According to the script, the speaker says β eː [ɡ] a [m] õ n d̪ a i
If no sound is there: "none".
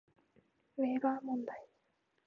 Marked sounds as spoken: ɡ, m

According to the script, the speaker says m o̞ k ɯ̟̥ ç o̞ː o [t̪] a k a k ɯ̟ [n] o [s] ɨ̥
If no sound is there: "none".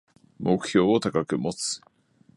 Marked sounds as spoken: t̪, m, t͡s

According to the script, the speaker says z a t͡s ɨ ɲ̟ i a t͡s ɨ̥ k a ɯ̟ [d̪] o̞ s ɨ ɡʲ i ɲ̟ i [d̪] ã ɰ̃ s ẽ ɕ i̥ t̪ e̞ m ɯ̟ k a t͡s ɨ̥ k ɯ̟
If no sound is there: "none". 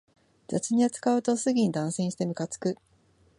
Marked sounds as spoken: t̪, d̪

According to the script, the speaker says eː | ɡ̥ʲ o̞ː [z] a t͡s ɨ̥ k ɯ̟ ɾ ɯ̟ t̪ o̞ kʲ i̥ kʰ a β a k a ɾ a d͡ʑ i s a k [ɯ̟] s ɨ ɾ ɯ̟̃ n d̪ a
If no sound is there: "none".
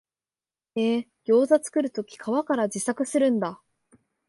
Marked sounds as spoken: z, ɯ̟

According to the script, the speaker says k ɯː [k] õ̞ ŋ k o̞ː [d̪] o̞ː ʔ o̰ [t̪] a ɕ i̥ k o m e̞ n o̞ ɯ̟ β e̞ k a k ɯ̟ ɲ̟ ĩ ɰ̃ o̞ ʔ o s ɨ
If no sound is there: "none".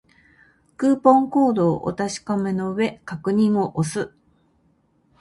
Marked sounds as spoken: p, d̪, t̪

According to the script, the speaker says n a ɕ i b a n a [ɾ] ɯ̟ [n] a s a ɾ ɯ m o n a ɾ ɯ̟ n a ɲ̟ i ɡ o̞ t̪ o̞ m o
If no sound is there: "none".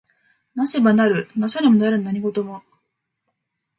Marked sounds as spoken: ɾ, n

